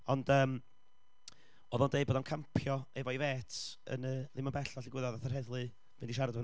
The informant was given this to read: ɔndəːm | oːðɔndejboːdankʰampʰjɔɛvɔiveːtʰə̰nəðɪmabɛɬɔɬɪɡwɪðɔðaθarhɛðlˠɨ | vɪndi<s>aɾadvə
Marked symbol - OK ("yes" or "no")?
no